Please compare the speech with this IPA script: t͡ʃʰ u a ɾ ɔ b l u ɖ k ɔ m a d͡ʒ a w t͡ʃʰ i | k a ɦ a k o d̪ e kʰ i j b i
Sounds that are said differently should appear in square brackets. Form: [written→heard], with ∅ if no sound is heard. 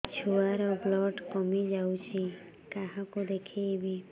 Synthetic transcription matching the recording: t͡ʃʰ u a ɾ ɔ b l [u→ɔ] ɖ k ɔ m [a→i] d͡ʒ a w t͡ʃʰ i | k a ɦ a k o d̪ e kʰ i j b i